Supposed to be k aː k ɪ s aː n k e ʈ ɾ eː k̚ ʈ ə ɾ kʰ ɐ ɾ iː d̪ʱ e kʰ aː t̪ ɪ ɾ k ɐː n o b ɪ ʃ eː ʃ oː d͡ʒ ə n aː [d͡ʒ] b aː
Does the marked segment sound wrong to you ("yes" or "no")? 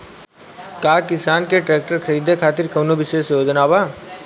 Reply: yes